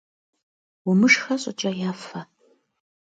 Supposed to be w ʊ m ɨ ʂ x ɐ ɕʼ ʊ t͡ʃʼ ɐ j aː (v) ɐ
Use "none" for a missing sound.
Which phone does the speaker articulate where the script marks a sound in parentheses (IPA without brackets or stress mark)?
f